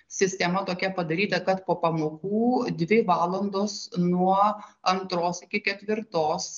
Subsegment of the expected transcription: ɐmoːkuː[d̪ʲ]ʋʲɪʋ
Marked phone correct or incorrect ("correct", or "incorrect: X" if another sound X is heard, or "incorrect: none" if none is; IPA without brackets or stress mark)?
correct